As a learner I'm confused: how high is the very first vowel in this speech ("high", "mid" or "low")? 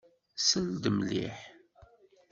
mid